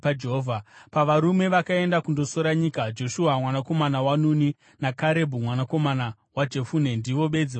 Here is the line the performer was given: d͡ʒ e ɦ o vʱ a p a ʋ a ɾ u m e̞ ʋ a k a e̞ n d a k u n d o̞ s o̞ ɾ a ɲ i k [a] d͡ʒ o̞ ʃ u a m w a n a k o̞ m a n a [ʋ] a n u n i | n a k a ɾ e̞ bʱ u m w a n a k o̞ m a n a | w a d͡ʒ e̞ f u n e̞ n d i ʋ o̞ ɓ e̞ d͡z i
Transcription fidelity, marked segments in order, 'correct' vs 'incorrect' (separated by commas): correct, incorrect